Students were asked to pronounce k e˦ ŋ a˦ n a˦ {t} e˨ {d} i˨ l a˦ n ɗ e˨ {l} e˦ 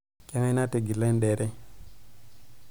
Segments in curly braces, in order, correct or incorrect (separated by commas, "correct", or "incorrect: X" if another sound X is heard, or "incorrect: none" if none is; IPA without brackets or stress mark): correct, incorrect: ɡ, incorrect: ɾ